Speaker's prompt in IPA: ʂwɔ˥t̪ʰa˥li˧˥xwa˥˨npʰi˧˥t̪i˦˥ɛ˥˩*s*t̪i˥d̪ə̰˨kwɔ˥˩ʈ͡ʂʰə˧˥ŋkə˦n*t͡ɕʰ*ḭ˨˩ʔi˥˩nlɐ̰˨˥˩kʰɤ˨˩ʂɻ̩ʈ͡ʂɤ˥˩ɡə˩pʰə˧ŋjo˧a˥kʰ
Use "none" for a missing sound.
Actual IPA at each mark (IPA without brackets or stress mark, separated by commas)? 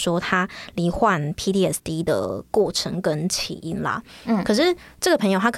s, t͡ɕʰ